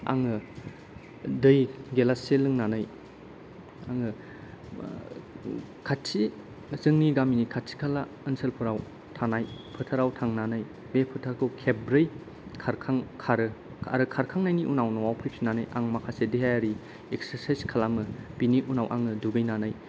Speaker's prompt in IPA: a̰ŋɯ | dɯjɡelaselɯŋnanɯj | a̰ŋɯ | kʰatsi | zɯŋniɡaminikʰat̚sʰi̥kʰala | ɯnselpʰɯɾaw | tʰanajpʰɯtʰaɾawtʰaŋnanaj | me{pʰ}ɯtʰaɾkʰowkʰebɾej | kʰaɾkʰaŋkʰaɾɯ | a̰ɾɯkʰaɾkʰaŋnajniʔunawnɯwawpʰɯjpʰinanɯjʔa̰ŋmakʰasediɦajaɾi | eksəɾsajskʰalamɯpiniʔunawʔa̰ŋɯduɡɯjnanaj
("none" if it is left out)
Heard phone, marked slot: pʰ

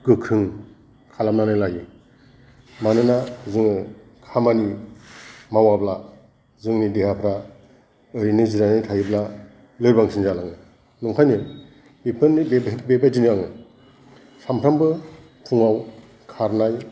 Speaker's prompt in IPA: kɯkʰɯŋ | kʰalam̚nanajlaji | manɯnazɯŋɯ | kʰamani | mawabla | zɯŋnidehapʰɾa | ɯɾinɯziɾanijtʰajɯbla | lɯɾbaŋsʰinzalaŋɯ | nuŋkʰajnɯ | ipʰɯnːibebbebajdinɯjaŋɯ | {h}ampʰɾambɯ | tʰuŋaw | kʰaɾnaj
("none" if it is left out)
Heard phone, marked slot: s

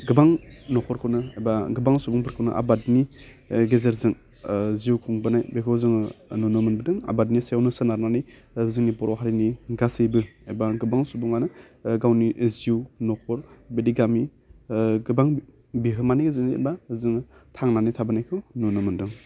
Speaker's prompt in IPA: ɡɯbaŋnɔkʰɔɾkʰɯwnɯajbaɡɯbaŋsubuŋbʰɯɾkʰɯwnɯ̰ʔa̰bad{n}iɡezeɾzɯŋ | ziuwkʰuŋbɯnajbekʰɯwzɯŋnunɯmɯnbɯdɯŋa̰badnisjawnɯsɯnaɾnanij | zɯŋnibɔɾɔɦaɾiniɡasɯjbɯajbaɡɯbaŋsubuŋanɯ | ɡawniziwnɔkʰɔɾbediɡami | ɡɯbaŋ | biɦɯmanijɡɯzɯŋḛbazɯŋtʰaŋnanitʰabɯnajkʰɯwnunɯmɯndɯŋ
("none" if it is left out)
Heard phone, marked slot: n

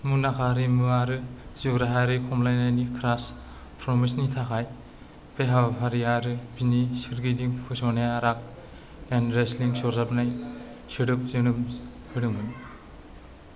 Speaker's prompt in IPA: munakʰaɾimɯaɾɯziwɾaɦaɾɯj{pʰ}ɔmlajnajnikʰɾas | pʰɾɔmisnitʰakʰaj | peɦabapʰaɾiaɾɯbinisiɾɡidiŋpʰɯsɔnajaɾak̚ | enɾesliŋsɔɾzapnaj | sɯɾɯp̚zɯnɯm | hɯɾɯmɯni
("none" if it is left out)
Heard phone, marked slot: kʰ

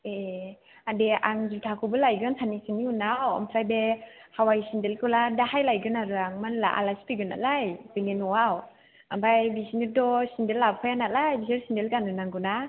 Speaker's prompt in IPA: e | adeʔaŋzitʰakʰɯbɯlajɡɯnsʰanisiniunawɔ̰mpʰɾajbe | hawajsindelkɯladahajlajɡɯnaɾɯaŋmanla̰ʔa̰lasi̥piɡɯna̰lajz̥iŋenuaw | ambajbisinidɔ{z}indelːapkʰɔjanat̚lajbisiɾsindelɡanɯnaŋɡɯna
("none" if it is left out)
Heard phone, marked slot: s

